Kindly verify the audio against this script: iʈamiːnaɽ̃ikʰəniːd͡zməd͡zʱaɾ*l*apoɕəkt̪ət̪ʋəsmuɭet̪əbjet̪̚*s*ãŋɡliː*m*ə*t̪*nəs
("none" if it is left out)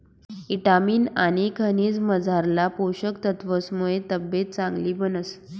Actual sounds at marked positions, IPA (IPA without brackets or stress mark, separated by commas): l, t͡s, b, none